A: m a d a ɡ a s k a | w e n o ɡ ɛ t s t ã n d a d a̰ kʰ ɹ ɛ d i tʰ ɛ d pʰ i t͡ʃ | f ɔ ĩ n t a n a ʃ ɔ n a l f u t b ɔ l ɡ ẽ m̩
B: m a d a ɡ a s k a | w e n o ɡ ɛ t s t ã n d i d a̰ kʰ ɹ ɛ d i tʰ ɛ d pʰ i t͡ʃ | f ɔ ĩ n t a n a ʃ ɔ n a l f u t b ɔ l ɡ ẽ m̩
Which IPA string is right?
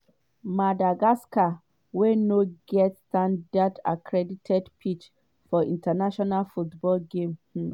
A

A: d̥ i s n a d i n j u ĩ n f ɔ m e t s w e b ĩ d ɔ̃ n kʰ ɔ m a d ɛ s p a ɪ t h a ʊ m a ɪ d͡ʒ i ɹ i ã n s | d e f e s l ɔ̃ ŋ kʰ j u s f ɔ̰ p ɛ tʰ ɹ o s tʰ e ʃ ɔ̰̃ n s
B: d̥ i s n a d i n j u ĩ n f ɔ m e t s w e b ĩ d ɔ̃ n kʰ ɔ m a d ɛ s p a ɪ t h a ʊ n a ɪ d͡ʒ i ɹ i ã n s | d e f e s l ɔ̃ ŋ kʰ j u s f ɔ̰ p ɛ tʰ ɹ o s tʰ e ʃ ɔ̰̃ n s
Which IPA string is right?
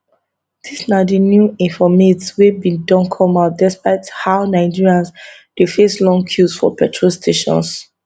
B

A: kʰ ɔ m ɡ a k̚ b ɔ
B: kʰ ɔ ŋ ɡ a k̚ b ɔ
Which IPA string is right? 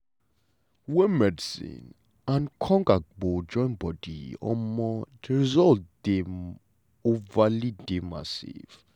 B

